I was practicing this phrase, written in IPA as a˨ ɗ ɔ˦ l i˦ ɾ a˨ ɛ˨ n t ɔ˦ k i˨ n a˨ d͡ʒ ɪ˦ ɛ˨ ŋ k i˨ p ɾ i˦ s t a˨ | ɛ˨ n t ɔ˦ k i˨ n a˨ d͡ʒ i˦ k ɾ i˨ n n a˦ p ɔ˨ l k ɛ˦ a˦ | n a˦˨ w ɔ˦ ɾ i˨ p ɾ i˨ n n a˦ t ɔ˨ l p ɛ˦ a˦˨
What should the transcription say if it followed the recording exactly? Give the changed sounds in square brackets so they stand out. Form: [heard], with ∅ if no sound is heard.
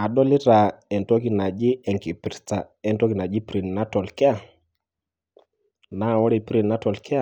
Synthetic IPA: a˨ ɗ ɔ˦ l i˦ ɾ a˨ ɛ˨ n t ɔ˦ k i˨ n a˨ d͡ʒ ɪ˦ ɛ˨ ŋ k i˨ p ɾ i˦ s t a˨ | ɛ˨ n t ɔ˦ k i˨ n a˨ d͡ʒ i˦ [p] ɾ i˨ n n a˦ [t] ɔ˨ l k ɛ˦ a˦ | n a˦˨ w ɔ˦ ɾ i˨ p ɾ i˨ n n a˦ t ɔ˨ l [k] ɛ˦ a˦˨